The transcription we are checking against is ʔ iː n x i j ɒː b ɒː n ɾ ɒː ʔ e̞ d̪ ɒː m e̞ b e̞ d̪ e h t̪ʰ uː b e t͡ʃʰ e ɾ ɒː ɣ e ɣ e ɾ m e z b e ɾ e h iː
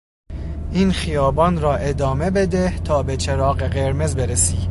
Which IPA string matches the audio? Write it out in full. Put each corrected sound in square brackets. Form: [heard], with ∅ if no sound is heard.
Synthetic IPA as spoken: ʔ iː n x i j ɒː b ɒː n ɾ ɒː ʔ e̞ d̪ ɒː m e̞ b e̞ d̪ e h t̪ʰ [ɒː] b e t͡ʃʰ e ɾ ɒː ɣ e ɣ e ɾ m e z b e ɾ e [s] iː